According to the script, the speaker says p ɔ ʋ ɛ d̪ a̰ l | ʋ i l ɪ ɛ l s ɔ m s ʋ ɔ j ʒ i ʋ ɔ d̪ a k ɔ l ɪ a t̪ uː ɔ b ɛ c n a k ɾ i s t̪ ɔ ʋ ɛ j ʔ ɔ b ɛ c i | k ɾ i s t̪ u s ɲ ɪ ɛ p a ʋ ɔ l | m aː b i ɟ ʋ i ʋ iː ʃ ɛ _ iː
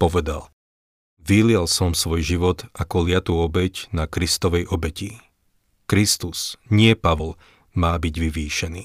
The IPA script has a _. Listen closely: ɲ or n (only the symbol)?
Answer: n